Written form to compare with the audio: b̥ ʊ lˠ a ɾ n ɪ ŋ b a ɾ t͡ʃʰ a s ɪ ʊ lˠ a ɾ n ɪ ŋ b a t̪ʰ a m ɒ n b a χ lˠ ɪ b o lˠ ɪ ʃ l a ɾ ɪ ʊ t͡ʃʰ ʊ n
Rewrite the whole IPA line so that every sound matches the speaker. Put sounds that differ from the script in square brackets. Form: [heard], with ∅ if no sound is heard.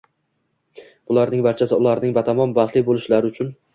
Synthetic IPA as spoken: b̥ ʊ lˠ a ɾ n ɪ ŋ b a ɾ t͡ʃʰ a s ɪ ʊ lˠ a ɾ n ɪ ŋ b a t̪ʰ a m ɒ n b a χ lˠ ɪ b o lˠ ɪ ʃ l a ɾ ɪ ʊ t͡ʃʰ ʊ n

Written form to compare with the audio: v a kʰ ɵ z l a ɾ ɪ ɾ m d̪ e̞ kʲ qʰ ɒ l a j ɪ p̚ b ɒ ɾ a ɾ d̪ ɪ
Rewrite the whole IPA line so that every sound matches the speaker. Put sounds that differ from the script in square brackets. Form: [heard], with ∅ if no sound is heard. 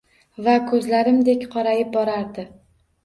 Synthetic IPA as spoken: v a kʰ ɵ z l a ɾ ɪ [∅] m d̪ e̞ kʲ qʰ ɒ [ɾ] a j ɪ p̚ b ɒ ɾ a ɾ d̪ ɪ

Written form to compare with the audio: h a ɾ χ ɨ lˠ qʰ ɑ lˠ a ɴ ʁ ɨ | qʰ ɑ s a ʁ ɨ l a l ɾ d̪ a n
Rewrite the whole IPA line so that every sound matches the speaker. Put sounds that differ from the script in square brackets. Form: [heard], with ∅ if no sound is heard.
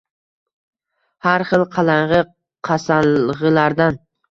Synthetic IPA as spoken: h a ɾ χ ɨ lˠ qʰ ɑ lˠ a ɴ ʁ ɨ | qʰ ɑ s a ʁ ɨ l a [∅] ɾ d̪ a n

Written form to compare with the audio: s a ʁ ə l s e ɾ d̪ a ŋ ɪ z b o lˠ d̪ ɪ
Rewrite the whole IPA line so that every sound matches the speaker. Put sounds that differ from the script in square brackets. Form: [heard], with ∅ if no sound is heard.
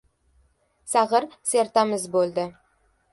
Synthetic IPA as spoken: s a ʁ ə [ɾ] s e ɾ [t̪] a [m] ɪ z b o lˠ d̪ ɪ

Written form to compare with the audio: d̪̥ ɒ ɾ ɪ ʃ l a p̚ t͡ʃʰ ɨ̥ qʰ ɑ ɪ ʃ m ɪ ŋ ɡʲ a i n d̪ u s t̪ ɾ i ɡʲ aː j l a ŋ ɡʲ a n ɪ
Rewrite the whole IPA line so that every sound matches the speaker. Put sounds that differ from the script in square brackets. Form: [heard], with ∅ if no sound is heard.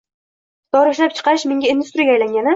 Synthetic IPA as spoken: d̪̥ ɒ ɾ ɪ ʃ l a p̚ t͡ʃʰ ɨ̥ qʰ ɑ ɪ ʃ m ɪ ŋ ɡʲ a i n d̪ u s t̪ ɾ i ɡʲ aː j l a ŋ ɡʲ a n ɪ

